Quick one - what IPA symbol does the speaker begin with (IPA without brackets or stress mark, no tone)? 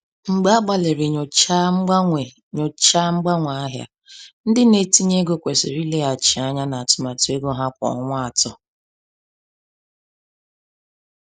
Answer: ŋ͡m̩